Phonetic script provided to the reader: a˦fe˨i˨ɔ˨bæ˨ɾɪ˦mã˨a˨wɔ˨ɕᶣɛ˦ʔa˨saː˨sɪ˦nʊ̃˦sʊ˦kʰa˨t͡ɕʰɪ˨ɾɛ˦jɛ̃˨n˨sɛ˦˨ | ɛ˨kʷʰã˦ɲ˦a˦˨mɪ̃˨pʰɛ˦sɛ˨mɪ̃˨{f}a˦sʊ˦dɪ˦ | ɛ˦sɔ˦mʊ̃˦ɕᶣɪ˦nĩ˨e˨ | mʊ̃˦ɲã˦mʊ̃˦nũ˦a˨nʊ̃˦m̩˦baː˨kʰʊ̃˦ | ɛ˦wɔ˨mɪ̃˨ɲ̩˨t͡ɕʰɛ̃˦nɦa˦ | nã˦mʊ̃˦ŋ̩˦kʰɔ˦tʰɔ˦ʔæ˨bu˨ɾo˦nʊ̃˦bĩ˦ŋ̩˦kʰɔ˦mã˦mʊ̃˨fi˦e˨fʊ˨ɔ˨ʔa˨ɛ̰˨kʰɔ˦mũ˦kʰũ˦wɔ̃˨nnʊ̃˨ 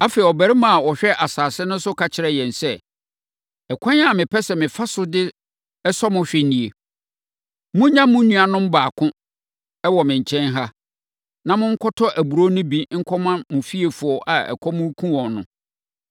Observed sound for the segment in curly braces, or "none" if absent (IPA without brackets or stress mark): f